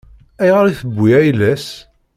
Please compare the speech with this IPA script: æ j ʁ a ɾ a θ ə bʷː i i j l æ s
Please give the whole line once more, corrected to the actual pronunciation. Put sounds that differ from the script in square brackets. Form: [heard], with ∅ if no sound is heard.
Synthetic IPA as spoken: æ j ʁ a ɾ [i] θ ə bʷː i [æ] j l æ s